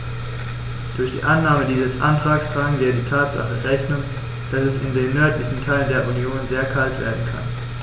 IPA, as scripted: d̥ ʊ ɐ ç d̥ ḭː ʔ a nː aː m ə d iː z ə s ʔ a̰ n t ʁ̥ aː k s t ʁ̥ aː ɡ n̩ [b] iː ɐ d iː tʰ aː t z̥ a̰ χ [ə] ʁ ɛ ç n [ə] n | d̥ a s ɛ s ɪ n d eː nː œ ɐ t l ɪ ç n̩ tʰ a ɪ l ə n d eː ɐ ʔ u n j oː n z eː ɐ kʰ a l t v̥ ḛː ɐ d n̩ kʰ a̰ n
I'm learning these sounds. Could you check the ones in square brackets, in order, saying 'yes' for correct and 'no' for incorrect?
no, yes, yes

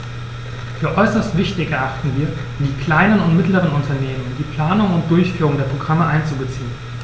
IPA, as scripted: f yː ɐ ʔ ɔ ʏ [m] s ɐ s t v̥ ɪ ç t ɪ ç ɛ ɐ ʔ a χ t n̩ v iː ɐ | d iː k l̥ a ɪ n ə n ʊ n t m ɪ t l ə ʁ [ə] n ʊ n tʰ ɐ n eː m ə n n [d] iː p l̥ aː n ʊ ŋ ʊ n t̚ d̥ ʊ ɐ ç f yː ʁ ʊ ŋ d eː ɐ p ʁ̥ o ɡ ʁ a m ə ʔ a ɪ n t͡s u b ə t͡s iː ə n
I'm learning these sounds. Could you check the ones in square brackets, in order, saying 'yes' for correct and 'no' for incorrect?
no, yes, yes

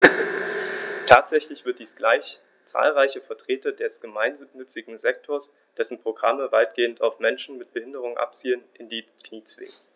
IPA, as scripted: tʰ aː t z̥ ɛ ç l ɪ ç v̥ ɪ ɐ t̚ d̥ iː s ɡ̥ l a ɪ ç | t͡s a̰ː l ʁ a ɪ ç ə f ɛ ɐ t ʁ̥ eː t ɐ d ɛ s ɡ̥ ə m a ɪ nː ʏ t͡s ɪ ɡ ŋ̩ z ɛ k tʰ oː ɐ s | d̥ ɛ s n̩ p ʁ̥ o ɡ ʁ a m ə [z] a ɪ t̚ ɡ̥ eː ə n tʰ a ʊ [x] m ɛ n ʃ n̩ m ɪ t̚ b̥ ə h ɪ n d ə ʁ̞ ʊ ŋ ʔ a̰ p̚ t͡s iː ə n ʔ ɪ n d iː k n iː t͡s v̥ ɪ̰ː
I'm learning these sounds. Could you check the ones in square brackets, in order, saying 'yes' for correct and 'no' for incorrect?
no, no

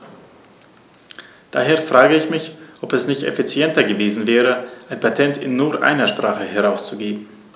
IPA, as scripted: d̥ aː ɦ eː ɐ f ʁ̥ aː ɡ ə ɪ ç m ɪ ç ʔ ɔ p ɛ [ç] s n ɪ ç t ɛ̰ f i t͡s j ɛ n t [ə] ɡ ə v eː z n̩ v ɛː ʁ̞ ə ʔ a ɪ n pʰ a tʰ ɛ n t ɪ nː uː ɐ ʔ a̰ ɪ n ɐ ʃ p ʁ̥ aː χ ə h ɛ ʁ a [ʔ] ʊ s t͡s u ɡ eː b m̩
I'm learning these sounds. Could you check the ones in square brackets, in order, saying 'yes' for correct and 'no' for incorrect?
no, no, no

